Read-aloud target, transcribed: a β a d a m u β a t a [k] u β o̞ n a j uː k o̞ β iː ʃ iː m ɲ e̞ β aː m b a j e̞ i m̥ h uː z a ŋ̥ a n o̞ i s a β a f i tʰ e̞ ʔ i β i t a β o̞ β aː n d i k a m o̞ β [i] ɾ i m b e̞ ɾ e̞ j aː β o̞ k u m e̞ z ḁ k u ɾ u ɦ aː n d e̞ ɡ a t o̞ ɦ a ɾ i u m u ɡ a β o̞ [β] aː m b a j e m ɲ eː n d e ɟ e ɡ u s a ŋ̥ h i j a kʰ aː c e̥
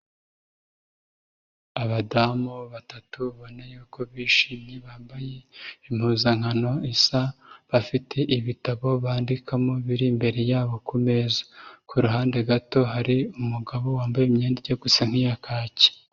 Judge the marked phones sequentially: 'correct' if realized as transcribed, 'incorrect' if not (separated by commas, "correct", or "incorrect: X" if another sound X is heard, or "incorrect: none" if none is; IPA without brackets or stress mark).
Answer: incorrect: t, correct, incorrect: w